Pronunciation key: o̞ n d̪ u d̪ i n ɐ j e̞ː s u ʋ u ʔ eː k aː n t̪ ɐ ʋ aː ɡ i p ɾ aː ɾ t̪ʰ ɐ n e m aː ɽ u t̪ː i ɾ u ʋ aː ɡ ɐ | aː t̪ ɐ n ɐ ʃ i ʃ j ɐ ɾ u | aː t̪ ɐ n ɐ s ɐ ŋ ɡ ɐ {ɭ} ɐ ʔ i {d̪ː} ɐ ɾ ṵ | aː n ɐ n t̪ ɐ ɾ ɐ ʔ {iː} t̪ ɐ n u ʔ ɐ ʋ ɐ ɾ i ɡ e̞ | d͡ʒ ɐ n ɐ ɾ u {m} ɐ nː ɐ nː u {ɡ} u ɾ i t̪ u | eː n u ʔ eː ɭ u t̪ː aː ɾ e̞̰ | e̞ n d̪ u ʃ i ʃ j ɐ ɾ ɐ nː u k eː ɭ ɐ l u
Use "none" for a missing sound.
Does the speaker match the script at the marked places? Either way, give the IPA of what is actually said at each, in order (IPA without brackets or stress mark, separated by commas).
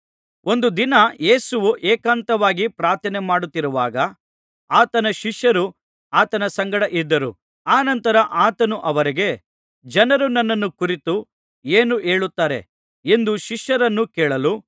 ɽ, d̪ː, aː, n, k